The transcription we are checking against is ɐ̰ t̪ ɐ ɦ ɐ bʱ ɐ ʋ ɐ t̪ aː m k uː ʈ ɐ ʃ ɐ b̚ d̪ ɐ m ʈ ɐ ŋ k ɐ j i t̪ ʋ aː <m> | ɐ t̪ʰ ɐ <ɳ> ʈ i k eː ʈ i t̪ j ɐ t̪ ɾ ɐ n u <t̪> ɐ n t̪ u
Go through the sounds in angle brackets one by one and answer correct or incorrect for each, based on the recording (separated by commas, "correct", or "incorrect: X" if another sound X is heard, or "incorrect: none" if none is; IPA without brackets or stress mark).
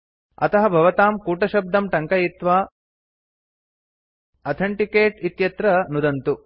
incorrect: none, correct, incorrect: d̪